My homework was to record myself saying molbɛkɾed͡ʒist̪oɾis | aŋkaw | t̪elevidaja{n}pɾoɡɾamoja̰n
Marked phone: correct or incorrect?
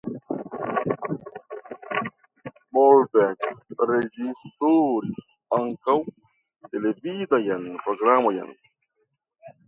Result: correct